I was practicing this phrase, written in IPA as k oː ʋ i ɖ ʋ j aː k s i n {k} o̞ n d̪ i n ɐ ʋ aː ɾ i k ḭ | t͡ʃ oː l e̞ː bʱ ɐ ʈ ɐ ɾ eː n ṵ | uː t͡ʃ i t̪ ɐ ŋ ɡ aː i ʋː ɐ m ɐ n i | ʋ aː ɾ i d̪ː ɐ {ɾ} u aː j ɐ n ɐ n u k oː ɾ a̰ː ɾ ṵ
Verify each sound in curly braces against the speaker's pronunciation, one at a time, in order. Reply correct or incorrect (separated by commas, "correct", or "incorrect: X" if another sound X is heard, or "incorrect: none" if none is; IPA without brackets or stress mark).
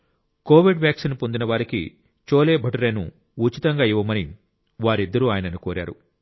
incorrect: p, correct